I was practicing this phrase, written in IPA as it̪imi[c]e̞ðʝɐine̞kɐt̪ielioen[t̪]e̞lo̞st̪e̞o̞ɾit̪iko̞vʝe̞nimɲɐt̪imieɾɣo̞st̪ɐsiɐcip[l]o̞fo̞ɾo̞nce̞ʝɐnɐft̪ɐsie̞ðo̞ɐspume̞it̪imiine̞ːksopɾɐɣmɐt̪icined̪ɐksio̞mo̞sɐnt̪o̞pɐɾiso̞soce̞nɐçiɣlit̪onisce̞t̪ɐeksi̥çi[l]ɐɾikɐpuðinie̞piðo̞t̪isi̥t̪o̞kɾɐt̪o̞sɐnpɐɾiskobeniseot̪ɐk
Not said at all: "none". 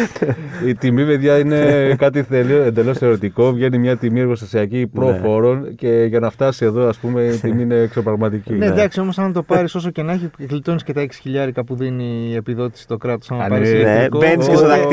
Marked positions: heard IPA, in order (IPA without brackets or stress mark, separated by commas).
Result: p, d̪, ɾ, ʎ